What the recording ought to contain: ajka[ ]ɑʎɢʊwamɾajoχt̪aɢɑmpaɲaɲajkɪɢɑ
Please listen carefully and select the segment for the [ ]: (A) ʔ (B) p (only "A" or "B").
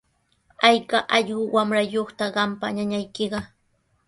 A